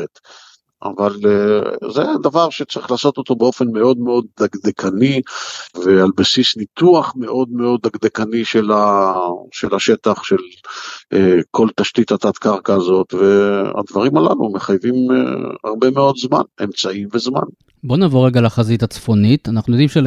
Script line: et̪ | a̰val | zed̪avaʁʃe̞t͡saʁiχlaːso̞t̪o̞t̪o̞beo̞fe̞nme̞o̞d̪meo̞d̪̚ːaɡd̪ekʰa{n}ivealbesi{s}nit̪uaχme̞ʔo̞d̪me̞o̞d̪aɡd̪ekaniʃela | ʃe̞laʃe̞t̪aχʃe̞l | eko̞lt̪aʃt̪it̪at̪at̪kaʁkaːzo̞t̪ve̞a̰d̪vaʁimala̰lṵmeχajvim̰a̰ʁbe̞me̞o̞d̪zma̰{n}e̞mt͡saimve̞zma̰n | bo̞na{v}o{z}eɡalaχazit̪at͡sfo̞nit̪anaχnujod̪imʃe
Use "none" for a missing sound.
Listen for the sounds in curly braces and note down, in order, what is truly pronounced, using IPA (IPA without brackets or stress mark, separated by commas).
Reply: n, s, n, v, ʁ